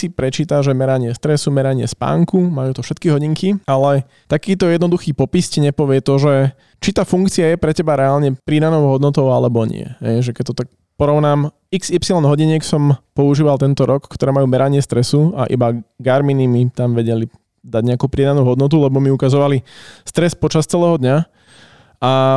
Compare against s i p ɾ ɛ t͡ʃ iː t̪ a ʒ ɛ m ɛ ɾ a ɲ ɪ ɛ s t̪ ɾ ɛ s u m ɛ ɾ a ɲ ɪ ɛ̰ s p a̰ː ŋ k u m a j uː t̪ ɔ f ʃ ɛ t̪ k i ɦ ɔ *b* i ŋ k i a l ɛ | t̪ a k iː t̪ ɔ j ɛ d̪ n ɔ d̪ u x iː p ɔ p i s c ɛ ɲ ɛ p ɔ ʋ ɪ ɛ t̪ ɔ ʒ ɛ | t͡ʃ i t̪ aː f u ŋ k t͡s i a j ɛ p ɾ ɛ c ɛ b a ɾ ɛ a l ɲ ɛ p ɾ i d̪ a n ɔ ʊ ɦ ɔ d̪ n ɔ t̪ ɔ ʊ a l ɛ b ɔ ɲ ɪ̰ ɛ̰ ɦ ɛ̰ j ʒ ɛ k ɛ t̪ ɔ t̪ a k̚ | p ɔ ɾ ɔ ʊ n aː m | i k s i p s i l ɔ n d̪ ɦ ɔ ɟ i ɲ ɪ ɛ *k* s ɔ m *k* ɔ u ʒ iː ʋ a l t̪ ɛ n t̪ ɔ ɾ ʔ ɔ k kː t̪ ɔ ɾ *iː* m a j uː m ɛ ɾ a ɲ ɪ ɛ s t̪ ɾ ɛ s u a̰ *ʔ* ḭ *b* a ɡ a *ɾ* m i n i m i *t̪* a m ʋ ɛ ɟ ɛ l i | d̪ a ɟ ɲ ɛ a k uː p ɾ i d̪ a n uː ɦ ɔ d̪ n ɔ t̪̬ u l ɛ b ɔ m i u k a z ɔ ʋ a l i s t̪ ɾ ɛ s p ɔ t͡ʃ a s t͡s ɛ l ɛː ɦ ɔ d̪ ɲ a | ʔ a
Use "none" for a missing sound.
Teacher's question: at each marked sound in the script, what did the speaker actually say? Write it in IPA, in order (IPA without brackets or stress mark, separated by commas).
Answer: ɟ, k, p, ɛː, ʔ, b, ɾ, t̪